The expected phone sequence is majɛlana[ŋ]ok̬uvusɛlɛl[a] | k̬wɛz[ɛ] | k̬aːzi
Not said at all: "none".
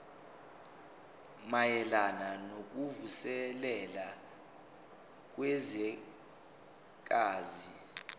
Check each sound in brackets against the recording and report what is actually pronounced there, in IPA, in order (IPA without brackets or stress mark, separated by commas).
n, a, ɛ